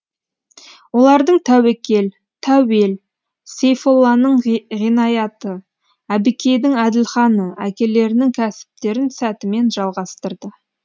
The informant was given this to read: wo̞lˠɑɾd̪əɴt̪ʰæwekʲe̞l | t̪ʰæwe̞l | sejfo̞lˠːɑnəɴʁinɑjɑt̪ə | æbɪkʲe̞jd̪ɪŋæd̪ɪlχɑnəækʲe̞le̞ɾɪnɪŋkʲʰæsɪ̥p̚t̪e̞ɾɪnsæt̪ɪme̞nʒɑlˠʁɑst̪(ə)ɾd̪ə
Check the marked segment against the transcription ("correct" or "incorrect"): correct